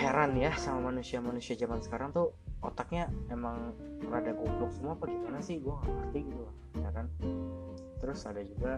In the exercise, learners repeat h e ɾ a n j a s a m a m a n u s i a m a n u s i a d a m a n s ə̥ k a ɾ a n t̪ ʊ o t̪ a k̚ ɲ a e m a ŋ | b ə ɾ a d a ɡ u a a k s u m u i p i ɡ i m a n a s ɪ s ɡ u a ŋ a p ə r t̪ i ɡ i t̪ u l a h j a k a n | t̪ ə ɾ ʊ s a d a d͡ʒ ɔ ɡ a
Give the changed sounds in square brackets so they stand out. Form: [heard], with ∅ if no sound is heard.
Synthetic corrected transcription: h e ɾ a n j a s a m a m a n u s i a m a n u s i a [d͡ʒ] a m a n s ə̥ k a ɾ a [ŋ] t̪ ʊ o t̪ a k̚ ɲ a e m a ŋ | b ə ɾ a d a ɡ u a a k s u m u [a] p [a] ɡ i m a n a s ɪ [h] ɡ u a ŋ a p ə r t̪ i ɡ i t̪ u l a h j a k a n | t̪ ə ɾ ʊ s a d a d͡ʒ [u] ɡ a